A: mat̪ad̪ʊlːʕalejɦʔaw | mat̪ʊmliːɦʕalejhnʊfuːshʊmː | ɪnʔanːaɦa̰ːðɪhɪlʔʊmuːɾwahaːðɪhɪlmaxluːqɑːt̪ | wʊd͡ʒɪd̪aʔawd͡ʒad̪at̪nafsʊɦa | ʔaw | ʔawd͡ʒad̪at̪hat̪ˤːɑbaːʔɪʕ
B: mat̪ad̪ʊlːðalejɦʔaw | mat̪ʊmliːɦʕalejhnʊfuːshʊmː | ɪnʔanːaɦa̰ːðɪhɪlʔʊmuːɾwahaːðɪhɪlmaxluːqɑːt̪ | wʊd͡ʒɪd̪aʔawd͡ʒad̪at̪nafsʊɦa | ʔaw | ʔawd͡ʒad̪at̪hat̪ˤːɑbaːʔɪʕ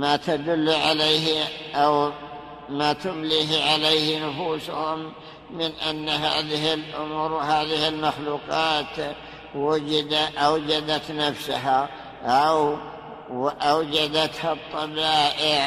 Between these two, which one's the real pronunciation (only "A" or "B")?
A